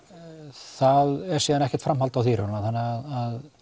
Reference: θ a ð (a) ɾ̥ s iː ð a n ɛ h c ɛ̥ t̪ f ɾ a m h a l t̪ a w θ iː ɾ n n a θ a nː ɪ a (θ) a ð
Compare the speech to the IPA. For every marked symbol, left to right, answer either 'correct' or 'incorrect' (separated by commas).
incorrect, incorrect